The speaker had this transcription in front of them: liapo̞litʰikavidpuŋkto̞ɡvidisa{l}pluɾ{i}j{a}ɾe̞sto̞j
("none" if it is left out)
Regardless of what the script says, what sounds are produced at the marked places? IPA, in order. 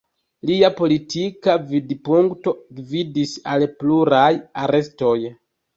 l, a, a

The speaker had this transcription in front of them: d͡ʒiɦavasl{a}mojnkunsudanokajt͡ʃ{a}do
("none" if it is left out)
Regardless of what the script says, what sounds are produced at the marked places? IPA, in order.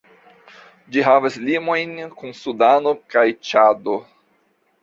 i, a

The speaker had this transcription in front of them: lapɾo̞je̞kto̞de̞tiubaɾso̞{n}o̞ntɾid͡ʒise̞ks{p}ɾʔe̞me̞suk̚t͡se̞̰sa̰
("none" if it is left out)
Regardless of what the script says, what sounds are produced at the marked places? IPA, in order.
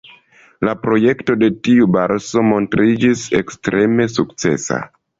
m, t

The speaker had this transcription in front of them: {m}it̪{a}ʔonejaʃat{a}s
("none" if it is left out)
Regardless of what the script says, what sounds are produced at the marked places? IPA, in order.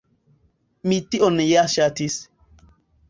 m, i, i

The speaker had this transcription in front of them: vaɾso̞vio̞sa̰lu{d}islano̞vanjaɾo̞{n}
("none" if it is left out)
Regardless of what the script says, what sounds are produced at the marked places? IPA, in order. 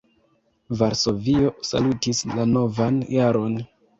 t, n

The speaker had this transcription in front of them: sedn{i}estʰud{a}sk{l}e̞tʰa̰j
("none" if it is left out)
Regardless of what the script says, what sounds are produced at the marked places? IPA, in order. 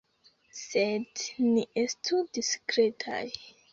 i, i, ɾ

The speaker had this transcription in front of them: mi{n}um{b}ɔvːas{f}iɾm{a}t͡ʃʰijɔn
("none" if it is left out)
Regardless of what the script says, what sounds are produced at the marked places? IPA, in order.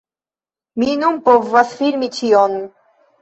n, p, f, i

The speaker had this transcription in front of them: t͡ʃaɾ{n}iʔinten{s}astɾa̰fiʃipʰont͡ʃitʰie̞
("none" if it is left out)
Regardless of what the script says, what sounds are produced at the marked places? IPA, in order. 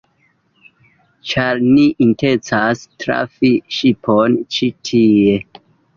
n, t͡s

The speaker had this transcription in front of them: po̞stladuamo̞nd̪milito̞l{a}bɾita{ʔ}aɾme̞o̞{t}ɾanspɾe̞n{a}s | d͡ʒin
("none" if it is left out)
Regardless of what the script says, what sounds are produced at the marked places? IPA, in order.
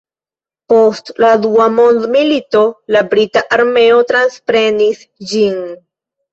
a, ʔ, t, i

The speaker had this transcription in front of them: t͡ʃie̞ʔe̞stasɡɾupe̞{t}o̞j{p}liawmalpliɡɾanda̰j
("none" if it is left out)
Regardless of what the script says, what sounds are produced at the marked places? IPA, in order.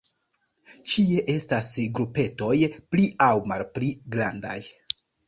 t, p

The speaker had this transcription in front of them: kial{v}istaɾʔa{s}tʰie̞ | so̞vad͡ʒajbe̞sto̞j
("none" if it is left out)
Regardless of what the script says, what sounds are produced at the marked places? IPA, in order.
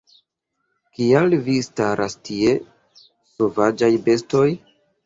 v, s

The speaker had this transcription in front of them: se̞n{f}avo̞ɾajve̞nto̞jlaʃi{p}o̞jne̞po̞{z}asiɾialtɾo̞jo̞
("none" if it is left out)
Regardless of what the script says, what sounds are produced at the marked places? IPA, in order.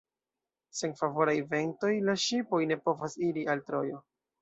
f, p, v

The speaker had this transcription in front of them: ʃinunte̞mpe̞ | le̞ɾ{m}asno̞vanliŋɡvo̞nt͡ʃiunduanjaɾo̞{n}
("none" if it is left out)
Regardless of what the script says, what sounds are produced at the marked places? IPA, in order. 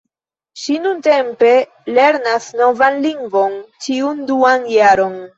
n, n

